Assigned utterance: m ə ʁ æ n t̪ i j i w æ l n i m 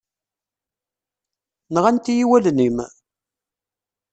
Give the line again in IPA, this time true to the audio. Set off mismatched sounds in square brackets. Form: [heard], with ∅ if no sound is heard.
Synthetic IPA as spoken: [n] ə ʁ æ n t̪ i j i w æ l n i m

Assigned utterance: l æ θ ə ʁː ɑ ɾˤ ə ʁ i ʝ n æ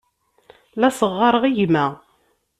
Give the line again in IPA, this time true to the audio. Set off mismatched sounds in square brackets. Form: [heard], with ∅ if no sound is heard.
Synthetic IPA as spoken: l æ [s] ə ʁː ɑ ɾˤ ə ʁ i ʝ [m] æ

